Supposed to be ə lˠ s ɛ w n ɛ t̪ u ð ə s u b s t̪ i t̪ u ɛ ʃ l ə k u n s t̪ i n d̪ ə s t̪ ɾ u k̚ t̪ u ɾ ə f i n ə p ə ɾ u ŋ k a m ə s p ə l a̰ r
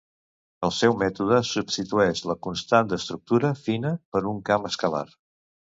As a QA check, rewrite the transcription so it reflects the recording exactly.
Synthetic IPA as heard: ə lˠ s ɛ w m ɛ t̪ u ð ə s u b s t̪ i t̪ u ɛ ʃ l ə k u n s t̪ a n d̪ ə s t̪ ɾ u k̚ t̪ u ɾ ə f i n ə p ə ɾ u ŋ k a m ə s k ə l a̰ r